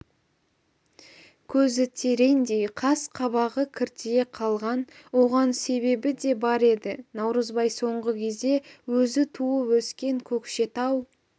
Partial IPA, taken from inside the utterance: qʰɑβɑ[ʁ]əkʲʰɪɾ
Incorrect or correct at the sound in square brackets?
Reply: correct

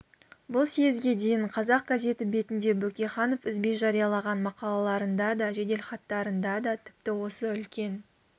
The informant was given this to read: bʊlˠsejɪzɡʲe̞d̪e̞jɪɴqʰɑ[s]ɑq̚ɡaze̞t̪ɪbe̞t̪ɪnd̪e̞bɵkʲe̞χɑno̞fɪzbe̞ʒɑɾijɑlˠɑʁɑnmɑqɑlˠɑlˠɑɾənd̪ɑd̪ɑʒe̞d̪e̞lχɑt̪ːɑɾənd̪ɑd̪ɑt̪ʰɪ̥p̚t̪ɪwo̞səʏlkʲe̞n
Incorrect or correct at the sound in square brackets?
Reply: incorrect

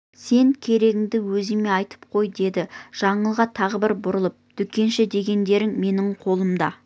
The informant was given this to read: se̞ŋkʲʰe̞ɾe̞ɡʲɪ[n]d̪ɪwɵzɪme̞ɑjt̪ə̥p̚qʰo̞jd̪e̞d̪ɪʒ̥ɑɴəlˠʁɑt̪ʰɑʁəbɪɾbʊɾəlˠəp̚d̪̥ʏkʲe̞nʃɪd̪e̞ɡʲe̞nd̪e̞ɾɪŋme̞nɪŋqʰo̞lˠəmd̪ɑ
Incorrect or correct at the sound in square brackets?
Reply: incorrect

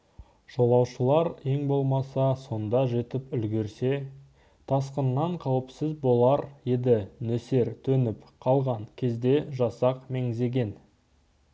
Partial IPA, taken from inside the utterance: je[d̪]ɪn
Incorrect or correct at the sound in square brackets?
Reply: correct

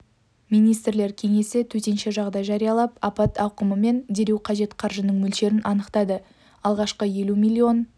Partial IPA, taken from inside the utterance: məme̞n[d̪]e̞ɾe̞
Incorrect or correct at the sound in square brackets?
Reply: correct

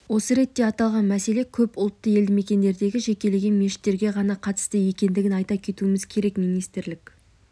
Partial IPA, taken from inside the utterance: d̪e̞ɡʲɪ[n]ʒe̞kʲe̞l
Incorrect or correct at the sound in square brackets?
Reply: incorrect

